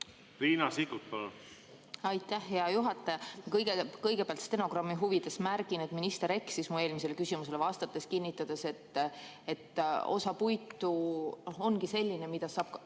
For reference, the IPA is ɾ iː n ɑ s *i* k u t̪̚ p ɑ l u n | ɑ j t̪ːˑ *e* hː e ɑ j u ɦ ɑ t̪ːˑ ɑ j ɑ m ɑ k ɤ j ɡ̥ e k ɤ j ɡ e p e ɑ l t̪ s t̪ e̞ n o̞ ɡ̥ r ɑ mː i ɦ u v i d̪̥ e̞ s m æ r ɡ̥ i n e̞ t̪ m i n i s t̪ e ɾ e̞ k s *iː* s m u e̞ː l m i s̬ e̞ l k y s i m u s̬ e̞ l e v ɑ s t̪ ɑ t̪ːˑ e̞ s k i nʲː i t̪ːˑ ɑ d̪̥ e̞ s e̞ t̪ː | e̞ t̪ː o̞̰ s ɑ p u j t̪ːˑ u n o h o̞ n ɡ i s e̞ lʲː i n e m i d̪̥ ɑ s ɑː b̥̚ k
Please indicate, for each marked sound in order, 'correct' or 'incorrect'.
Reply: correct, incorrect: æ, incorrect: i

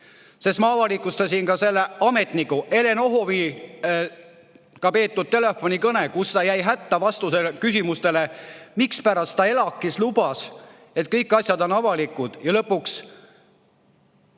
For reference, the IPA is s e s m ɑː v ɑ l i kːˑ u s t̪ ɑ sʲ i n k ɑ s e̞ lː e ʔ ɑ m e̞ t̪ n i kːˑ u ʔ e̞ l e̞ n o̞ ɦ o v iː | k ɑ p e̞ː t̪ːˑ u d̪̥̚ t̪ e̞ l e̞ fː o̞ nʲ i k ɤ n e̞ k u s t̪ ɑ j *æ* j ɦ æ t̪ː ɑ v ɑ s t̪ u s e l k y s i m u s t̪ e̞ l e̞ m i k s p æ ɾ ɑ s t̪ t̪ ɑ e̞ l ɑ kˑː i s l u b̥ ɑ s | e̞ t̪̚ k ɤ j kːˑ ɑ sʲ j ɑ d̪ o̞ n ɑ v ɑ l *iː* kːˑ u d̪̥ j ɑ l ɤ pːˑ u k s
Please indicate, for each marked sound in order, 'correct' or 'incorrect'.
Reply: correct, incorrect: i

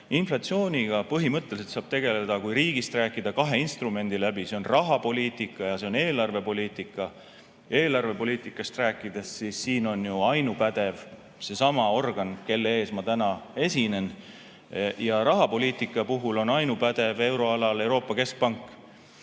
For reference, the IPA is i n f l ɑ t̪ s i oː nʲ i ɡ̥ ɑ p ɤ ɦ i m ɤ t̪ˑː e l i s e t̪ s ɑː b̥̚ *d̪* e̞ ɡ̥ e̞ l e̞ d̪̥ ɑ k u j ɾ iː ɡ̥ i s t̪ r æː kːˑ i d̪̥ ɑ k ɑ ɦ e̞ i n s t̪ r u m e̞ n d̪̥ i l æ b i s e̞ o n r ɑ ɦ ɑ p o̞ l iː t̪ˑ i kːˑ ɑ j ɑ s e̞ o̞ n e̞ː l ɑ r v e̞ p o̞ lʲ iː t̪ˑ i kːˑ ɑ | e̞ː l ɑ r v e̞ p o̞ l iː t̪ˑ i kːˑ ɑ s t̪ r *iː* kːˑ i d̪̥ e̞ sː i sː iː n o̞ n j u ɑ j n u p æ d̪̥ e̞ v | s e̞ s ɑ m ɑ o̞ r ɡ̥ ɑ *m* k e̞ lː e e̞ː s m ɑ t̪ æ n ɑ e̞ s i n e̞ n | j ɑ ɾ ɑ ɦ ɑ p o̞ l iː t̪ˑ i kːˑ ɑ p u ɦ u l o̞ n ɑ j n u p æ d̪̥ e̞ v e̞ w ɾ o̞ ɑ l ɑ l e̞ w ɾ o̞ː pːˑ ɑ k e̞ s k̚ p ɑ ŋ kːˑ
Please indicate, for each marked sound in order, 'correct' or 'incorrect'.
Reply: incorrect: t̪, incorrect: æː, incorrect: n

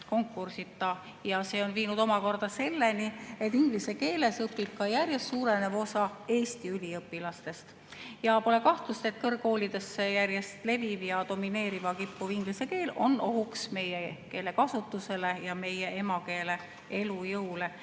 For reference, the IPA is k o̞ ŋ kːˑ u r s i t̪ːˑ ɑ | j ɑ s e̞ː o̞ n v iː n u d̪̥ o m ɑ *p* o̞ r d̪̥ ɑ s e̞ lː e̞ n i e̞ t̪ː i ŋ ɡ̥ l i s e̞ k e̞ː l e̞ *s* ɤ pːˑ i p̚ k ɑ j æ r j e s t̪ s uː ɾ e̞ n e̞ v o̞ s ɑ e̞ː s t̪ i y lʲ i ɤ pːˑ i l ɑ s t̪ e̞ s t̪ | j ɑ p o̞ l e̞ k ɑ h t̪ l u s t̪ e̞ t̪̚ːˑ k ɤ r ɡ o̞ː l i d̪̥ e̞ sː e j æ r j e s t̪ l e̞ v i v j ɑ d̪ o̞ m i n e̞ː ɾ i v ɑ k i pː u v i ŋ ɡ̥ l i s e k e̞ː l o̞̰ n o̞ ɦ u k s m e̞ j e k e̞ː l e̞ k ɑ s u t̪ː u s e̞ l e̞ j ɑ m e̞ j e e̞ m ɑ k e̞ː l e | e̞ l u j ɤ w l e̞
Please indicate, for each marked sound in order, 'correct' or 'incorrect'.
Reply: incorrect: k, correct

